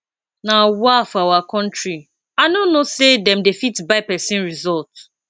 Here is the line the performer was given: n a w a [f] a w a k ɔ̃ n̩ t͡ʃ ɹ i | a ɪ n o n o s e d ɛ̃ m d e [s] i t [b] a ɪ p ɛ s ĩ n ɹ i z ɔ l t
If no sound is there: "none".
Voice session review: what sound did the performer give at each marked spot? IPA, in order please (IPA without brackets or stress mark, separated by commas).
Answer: f, f, b